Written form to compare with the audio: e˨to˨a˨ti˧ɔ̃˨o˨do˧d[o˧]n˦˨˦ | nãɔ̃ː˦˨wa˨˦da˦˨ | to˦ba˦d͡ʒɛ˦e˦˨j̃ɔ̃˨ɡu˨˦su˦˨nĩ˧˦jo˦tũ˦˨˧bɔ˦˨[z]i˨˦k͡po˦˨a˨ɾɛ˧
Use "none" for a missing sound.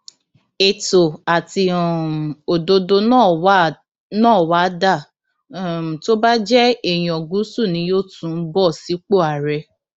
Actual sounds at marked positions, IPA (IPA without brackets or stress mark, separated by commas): o˧, s